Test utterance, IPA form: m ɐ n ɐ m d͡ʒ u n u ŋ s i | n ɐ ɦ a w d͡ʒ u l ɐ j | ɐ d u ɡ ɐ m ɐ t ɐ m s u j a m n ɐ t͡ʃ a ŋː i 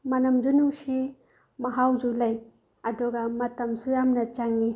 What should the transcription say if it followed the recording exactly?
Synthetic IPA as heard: m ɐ n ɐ m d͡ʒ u n u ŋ s i | m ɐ ɦ a w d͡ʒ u l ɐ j | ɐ d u ɡ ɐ m ɐ t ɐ m s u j a m n ɐ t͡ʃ a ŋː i